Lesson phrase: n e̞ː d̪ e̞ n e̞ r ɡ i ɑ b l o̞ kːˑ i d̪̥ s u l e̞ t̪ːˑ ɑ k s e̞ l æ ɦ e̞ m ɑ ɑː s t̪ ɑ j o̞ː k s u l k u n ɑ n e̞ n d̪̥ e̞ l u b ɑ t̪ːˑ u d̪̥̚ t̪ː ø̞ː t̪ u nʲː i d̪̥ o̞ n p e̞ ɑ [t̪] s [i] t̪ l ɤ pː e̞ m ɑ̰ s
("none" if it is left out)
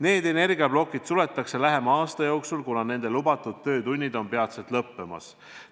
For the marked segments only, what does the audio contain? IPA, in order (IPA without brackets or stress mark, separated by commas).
t̪, e